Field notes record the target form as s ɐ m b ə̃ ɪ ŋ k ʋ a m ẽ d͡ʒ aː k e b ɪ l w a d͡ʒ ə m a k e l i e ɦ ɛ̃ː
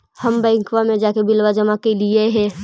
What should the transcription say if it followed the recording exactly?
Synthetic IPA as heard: h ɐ m b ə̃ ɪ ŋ k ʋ a m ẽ d͡ʒ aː k e b ɪ l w a d͡ʒ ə m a k e l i e ɦ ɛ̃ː

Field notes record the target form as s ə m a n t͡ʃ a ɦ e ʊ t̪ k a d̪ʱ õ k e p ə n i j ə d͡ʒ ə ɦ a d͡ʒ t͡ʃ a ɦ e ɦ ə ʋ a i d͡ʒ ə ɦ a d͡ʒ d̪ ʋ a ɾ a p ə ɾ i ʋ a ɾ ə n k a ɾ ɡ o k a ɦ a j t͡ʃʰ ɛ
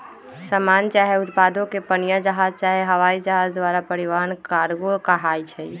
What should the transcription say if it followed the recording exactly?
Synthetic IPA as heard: s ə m a n t͡ʃ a ɦ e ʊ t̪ p a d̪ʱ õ k e p ə n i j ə d͡ʒ ə ɦ a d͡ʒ t͡ʃ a ɦ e ɦ ə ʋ a i d͡ʒ ə ɦ a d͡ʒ d̪ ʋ a ɾ a p ə ɾ i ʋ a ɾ ə n k a ɾ ɡ o k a ɦ a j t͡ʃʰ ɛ

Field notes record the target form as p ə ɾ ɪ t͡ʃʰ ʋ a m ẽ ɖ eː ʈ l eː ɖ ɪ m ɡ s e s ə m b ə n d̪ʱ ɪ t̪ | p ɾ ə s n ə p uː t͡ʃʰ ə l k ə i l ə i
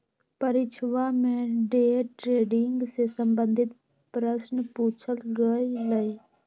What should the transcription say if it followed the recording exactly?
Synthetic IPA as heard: p ə ɾ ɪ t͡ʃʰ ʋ a m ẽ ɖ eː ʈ ɾ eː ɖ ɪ ŋ ɡ s e s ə m b ə n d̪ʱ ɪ t̪ | p ɾ ə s n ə p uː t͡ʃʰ ə l ɡ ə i l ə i

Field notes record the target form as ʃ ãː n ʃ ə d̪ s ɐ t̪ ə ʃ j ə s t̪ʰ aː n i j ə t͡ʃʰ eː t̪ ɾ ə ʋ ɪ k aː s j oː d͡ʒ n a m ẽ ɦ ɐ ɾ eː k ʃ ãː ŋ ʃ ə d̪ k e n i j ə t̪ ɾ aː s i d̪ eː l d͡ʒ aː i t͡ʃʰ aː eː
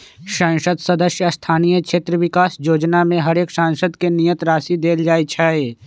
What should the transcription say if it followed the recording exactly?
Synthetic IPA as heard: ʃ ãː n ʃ ə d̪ s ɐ d̪ ə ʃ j ə s t̪ʰ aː n i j ə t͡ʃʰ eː t̪ ɾ ə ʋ ɪ k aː s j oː d͡ʒ n a m ẽ ɦ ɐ ɾ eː k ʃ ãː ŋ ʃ ə d̪ k e n i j ə t̪ ɾ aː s i d̪ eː l d͡ʒ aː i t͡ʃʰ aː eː

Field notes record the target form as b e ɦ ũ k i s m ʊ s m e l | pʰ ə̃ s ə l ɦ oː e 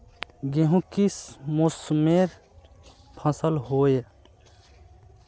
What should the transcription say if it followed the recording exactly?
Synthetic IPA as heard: ɡ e ɦ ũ k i s m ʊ s m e ɾ | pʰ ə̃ s ə l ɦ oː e

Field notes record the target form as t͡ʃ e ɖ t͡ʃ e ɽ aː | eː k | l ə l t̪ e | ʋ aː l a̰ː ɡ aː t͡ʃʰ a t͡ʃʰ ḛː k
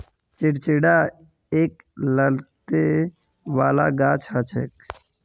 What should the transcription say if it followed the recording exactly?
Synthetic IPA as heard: t͡ʃ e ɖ t͡ʃ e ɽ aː | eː k | l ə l t̪ e | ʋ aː l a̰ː ɡ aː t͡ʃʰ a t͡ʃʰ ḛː k

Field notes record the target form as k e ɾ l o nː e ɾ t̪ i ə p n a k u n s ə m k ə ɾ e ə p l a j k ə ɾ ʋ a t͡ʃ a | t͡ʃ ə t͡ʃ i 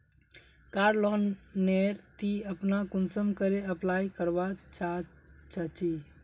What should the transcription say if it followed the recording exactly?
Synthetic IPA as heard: k a ɾ l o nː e ɾ t̪ i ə p n a k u n s ə m k ə ɾ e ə p l a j k ə ɾ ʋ a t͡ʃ a | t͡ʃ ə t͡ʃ i

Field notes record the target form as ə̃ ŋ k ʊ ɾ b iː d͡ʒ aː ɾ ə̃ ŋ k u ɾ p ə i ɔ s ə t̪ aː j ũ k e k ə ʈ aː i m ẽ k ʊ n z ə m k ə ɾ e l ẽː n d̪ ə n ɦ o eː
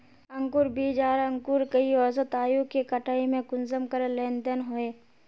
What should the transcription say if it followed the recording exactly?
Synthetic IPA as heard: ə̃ ŋ k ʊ ɾ b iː d͡ʒ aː ɾ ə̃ ŋ k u ɾ k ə i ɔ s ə t̪ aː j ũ k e k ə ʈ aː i m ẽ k ʊ n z ə m k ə ɾ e l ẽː n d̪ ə n ɦ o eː

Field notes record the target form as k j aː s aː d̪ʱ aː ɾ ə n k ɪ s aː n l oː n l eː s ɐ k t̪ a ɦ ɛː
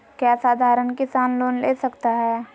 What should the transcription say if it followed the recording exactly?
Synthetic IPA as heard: k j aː s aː d̪ʱ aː ɾ ə n k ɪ s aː n l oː n l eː s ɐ k t̪ a ɦ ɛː

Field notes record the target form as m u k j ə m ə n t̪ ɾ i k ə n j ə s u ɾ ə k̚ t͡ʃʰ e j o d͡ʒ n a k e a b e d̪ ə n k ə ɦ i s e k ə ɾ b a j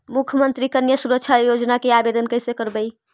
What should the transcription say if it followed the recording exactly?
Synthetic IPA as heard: m u kʰ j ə m ə n t̪ ɾ i k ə n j ə s u ɾ ə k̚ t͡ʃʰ a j o d͡ʒ n a k e a b e d̪ ə n k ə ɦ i s e k ə ɾ b ə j

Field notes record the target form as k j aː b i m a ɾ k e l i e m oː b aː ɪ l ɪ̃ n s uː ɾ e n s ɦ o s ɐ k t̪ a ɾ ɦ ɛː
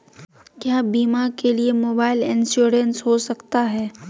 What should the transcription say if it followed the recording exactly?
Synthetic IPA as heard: k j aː b iː m a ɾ k e l i e m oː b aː ɪ l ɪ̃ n s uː ɾ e n s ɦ o s ɐ k t̪ a ɦ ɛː

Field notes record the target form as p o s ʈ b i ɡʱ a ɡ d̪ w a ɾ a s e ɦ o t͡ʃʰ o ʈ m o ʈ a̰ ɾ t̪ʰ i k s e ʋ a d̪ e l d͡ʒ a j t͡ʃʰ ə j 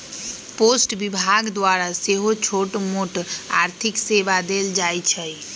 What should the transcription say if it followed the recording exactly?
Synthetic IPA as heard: p o s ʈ b i bʱ a ɡ d̪ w a ɾ a s e ɦ o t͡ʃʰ o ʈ m o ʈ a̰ ɾ t̪ʰ i k s e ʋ a d̪ e l d͡ʒ a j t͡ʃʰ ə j

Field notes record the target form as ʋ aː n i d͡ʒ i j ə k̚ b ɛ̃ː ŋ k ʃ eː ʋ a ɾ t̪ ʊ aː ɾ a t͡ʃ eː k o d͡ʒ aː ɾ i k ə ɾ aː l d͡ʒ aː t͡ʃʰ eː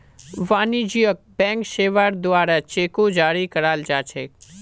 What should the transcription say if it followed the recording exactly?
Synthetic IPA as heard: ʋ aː n i d͡ʒ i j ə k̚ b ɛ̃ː ŋ k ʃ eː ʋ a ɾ d̪ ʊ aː ɾ a t͡ʃ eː k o d͡ʒ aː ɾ i k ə ɾ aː l d͡ʒ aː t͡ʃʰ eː

